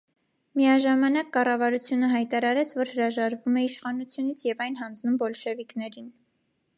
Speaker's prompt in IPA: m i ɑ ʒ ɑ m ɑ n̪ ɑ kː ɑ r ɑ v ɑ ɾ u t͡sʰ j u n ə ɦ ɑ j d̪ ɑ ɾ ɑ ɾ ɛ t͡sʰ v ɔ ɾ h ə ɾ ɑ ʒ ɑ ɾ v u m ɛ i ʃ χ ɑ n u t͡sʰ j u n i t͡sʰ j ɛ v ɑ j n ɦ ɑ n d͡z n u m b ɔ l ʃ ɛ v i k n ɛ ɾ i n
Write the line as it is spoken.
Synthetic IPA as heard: m i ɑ ʒ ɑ m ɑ n̪ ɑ kː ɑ r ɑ v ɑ ɾ u t͡sʰ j u n ə ɦ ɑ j t̪ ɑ ɾ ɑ ɾ ɛ t͡sʰ v ɔ ɾ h ə ɾ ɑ ʒ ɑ ɾ v u m ɛ i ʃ χ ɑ n u t͡sʰ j u n i t͡sʰ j ɛ v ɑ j n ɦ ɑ n d͡z n u m b ɔ l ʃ ɛ v i k n ɛ ɾ i n